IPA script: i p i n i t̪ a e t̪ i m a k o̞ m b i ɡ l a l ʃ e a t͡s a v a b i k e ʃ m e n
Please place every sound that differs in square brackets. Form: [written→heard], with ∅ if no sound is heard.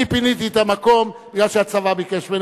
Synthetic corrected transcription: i p i n i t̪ [a→i] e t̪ [i→a] m a k o̞ m b i ɡ l a l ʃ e a t͡s a v a b i k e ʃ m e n